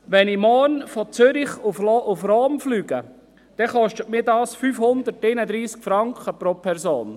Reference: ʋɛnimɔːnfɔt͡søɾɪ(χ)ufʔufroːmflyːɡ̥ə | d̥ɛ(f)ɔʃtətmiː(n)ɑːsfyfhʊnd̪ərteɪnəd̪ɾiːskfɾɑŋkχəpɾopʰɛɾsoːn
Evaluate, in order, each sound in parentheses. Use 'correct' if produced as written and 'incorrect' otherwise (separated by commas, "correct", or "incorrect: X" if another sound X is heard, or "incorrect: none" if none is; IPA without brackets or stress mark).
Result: correct, incorrect: χ, incorrect: d